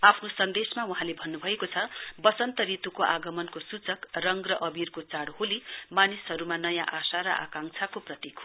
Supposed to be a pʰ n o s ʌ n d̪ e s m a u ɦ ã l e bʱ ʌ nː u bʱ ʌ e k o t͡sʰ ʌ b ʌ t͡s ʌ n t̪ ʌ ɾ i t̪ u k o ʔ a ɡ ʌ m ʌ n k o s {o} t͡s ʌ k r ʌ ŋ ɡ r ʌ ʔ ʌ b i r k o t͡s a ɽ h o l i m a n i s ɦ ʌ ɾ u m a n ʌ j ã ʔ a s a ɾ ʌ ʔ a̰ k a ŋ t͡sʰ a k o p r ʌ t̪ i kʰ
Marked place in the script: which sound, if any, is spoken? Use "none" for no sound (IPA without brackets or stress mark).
u